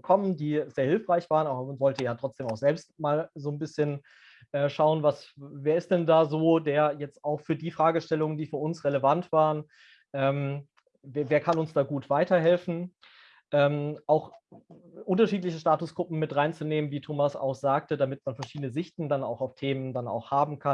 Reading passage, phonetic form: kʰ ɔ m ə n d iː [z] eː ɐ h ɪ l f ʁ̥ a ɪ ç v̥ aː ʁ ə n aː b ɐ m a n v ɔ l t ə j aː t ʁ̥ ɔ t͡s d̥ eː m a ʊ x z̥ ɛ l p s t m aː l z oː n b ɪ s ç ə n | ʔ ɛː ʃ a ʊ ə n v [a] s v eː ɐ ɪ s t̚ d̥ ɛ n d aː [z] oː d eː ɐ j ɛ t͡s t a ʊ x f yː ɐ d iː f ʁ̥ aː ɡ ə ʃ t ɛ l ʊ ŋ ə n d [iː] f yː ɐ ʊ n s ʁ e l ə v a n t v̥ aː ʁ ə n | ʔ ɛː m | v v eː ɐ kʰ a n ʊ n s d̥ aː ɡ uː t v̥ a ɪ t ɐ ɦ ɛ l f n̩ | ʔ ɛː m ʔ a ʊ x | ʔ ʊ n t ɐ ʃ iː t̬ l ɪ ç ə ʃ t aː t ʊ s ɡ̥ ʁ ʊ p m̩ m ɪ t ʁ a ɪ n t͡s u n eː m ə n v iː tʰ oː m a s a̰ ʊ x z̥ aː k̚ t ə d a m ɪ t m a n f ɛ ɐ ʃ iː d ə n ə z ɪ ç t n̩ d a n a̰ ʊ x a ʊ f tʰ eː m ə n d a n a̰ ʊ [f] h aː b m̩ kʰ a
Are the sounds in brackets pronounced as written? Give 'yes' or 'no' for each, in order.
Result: yes, yes, yes, yes, no

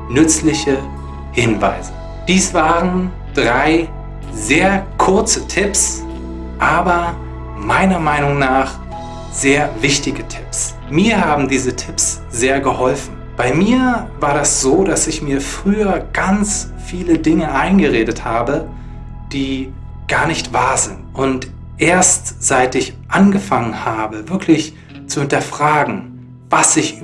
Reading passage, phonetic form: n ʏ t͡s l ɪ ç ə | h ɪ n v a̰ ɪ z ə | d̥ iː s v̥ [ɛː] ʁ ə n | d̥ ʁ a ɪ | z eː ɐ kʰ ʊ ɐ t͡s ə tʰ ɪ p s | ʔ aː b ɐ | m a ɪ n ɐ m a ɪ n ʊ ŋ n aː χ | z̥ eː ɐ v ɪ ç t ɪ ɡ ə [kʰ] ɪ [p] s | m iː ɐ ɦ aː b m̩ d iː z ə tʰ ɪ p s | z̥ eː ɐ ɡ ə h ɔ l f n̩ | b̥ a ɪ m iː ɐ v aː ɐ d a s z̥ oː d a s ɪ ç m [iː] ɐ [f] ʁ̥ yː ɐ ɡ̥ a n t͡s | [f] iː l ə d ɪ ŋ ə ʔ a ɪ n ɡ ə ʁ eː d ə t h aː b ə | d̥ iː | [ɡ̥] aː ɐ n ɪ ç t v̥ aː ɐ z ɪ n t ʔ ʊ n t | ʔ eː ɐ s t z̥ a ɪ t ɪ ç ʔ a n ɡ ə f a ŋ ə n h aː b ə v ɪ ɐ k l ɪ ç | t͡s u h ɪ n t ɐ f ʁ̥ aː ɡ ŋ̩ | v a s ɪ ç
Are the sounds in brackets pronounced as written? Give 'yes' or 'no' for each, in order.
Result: no, no, yes, yes, yes, yes, yes

